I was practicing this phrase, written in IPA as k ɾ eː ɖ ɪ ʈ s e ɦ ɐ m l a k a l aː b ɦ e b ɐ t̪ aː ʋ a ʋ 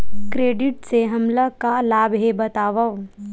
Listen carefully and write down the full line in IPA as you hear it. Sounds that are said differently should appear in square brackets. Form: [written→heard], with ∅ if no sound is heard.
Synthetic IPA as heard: k ɾ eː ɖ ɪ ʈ s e ɦ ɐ m l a k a l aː b ɦ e b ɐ t̪ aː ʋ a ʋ